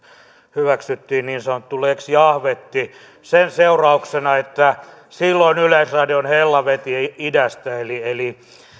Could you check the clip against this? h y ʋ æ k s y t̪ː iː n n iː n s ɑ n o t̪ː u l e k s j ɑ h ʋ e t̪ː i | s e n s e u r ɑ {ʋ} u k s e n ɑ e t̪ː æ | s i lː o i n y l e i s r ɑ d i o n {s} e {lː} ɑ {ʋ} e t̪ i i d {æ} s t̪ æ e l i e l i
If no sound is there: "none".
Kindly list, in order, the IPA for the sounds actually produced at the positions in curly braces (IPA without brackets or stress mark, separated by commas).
none, h, lː, ʋ, æ